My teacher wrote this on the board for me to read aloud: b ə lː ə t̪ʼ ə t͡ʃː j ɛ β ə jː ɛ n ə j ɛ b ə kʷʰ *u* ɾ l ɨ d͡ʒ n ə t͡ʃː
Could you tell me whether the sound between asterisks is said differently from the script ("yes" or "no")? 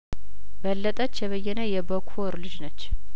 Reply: yes